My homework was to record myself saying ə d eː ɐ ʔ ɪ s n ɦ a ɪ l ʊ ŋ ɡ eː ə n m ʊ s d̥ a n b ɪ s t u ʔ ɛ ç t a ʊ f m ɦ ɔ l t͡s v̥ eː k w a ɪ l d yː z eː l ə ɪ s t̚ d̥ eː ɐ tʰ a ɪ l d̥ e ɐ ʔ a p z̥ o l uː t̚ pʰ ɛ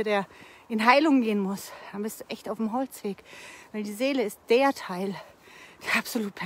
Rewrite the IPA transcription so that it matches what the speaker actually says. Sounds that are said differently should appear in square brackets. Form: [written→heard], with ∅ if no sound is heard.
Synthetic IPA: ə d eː ɐ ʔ ɪ [s→∅] n ɦ a ɪ l ʊ ŋ ɡ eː ə n m ʊ s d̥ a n b ɪ s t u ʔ ɛ ç t a ʊ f m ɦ ɔ l t͡s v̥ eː k [w→v] a ɪ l d [yː→iː] z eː l ə ɪ s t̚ d̥ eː ɐ tʰ a ɪ l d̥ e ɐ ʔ a p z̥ o l uː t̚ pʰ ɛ

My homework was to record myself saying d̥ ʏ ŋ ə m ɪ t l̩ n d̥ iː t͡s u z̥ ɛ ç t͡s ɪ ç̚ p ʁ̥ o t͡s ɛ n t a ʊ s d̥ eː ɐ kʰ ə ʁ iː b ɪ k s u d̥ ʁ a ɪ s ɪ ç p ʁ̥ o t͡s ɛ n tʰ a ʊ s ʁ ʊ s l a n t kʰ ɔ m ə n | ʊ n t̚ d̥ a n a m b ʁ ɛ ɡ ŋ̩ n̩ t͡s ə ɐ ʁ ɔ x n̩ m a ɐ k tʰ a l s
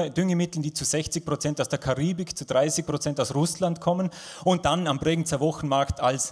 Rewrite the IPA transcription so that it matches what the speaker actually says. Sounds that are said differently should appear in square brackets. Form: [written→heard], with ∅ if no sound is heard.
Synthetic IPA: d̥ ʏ ŋ ə m ɪ t l̩ n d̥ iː t͡s u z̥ ɛ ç t͡s ɪ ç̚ p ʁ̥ o t͡s ɛ n t a ʊ s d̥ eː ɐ kʰ [ə→a] ʁ iː b ɪ k [s→t͡s] u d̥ ʁ a ɪ s ɪ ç p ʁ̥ o t͡s ɛ n [tʰ→t] a ʊ s ʁ ʊ s l a n t kʰ ɔ m ə n | ʊ n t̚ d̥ a n a m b ʁ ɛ ɡ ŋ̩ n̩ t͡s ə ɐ [ʁ→v] ɔ x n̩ m a ɐ k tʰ a l s

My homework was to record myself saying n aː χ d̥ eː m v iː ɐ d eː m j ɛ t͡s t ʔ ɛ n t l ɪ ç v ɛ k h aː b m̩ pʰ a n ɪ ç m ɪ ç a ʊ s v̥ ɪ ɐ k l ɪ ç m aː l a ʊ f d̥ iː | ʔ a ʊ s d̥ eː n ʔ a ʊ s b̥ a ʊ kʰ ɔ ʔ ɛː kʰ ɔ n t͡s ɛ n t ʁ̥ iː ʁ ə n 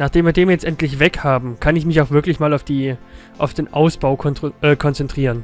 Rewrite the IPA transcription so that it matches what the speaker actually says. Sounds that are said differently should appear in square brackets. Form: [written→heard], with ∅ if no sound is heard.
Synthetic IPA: n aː χ d̥ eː m v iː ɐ d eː m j ɛ t͡s t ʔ ɛ n t l ɪ ç v ɛ k h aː b m̩ [pʰ→kʰ] a n ɪ ç m ɪ ç a ʊ [s→x] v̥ ɪ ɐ k l ɪ ç m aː l a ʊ f d̥ iː | ʔ a ʊ [s→f] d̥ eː n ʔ a ʊ s b̥ a ʊ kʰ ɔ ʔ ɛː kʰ ɔ n t͡s ɛ n t ʁ̥ iː ʁ ə n

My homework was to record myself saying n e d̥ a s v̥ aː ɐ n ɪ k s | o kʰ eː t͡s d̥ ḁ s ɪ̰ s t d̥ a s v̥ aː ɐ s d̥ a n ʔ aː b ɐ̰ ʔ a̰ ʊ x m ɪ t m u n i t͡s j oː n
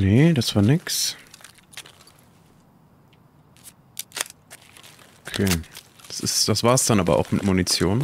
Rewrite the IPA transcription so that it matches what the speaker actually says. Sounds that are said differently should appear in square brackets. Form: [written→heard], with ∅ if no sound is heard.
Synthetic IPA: n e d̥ a s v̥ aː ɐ n ɪ k s | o kʰ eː [t͡s→∅] d̥ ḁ s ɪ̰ s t d̥ a s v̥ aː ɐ s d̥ a n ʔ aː b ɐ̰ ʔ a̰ ʊ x m ɪ t m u n i t͡s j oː n

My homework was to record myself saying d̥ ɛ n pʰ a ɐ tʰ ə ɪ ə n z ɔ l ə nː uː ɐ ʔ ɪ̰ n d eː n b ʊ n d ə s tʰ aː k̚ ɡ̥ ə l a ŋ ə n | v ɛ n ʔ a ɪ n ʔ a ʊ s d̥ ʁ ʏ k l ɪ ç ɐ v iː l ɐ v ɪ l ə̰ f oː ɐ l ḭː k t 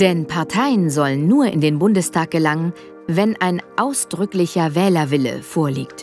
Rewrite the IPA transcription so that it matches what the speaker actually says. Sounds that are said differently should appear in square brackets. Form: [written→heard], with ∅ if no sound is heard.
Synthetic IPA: d̥ ɛ n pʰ a ɐ tʰ [ə→a] ɪ ə n z ɔ l ə nː uː ɐ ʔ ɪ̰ n d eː n b ʊ n d ə s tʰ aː k̚ ɡ̥ ə l a ŋ ə n | v ɛ n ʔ a ɪ n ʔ a ʊ s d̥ ʁ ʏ k l ɪ ç ɐ v [iː→ɛː] l ɐ v ɪ l ə̰ f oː ɐ l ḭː k t

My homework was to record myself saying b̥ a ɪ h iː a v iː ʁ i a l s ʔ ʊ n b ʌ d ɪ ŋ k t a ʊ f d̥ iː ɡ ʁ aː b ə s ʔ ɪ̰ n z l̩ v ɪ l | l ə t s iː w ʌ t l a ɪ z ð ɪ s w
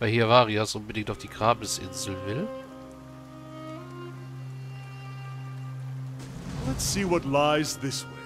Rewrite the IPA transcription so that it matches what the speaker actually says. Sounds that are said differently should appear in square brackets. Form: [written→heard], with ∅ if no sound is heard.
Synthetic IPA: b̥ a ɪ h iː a v [iː→aː] ʁ i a [l→∅] s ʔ ʊ n b [ʌ→ə] d ɪ ŋ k t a ʊ f d̥ iː ɡ ʁ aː b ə s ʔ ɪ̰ n z l̩ v ɪ l | l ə t s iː w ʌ t l a ɪ z ð ɪ s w

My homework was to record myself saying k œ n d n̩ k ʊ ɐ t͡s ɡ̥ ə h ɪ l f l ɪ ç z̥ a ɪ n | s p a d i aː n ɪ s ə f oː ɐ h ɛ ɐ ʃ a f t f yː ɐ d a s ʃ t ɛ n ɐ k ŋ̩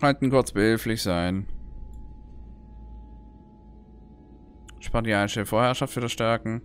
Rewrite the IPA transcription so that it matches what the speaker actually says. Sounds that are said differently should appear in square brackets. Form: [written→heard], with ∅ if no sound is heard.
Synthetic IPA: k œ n [d→t] n̩ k ʊ ɐ t͡s [ɡ̥→b̥] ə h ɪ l f l ɪ ç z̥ a ɪ n | [s→ʃ] p a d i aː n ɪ [s→ʃ] ə f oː ɐ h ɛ ɐ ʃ a f t f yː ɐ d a s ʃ t ɛ [n→∅] ɐ k ŋ̩

